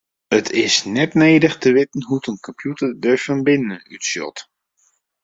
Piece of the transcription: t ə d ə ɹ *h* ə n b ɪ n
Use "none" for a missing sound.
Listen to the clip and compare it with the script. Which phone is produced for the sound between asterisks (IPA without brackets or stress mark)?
f